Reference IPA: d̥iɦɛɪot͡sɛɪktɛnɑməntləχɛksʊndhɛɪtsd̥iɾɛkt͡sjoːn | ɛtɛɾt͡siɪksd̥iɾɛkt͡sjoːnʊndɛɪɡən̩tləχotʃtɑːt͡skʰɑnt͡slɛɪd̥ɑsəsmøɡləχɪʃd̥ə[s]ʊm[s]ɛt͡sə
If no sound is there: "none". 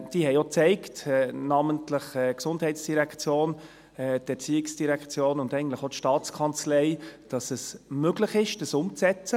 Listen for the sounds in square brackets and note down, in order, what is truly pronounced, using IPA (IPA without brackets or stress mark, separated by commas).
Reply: s, t͡s